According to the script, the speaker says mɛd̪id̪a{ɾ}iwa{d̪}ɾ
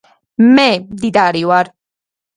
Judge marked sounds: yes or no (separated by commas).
yes, no